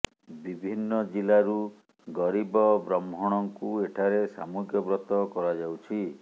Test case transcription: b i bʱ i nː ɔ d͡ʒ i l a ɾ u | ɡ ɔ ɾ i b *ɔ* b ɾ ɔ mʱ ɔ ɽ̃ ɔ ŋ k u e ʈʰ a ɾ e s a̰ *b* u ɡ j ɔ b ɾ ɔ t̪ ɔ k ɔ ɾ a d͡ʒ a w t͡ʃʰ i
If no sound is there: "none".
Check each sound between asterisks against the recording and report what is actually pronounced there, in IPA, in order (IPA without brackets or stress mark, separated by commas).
ɔ, m